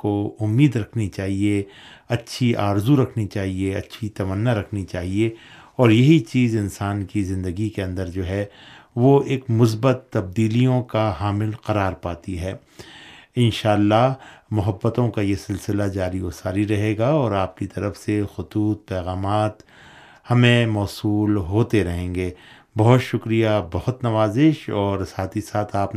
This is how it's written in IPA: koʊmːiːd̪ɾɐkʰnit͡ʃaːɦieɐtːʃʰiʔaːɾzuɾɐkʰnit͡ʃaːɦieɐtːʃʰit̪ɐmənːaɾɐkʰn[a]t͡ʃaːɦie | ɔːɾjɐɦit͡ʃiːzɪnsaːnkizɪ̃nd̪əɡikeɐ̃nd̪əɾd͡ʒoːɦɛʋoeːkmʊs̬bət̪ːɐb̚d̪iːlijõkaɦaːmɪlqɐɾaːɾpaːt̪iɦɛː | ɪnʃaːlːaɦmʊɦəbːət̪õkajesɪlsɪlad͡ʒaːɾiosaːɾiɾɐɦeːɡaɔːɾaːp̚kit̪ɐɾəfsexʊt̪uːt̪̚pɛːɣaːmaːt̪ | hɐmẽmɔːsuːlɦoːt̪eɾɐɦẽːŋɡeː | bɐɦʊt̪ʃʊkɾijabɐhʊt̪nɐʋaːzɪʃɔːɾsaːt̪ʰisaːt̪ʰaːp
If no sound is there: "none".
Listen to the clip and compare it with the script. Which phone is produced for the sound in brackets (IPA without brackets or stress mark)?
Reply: i